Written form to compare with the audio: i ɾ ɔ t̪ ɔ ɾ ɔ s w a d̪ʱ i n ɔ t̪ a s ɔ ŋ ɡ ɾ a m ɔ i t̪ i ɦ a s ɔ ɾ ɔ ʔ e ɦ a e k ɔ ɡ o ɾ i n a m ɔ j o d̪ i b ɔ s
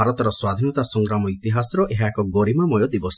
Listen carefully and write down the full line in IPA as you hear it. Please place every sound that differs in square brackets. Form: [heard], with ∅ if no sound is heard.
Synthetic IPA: [a] ɾ ɔ t̪ ɔ ɾ ɔ s w a d̪ʱ i n ɔ t̪ a s ɔ ŋ ɡ ɾ a m ɔ i t̪ i ɦ a s ɔ ɾ ɔ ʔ e ɦ a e k ɔ ɡ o ɾ i [m] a m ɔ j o d̪ i b ɔ s

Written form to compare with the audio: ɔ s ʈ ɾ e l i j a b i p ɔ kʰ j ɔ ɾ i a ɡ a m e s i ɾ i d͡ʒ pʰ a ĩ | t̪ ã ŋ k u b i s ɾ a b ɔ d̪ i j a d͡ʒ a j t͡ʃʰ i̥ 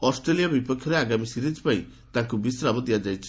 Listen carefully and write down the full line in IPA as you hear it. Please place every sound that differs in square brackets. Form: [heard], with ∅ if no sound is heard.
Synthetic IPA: ɔ s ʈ ɾ e l i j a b i p ɔ kʰ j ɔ ɾ [e] a ɡ a m [i] s i ɾ i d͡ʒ [p] a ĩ | t̪ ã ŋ k u b i s ɾ a b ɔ d̪ i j a d͡ʒ a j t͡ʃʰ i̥

